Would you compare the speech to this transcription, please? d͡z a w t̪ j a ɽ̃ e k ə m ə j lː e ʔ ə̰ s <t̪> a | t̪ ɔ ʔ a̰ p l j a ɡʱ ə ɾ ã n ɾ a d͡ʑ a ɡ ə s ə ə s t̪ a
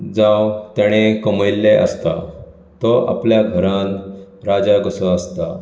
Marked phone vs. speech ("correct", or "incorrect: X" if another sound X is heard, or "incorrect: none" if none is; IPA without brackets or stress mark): correct